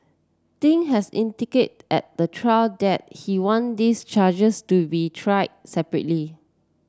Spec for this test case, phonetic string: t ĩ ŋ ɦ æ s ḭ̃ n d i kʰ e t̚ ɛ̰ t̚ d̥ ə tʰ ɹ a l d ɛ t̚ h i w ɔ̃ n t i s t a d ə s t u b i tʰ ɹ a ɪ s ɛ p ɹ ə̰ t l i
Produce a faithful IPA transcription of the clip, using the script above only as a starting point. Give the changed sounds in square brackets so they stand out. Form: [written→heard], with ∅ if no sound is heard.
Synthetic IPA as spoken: t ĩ ŋ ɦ [æ→ɛ] s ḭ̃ n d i [kʰ→k] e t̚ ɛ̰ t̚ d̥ ə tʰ ɹ a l d ɛ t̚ h i w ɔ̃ n [t→d] i s [t→t͡ʃ] a [d→d͡ʒ] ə s t u b i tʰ ɹ a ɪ s ɛ p ɹ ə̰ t l i

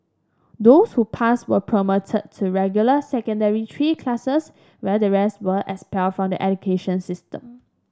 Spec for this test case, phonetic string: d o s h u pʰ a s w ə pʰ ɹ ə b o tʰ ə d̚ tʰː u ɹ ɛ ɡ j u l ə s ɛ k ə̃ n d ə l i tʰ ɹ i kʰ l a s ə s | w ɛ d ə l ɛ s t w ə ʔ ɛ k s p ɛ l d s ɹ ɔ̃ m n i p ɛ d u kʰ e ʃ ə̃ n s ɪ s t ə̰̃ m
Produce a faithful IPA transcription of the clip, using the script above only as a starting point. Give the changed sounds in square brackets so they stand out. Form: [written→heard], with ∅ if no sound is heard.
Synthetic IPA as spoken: d o s h u pʰ a s w ə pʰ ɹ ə [b→m] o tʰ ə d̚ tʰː u ɹ ɛ ɡ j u l ə s ɛ k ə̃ n d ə [l→ɹ] i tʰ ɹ i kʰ l a s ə s | w ɛ d ə [l→ɹ] ɛ s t w ə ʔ ɛ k s p ɛ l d [s→f] ɹ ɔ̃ m [n→d] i [p→ʔ] ɛ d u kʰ e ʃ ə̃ n s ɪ s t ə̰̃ m

